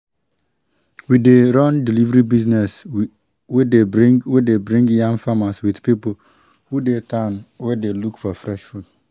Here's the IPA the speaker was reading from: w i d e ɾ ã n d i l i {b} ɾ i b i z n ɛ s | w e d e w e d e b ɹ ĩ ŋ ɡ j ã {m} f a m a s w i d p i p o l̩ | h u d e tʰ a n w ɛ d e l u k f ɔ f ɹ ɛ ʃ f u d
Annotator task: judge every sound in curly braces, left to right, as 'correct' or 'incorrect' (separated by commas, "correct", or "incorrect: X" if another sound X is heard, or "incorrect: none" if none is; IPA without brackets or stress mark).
incorrect: v, incorrect: ŋ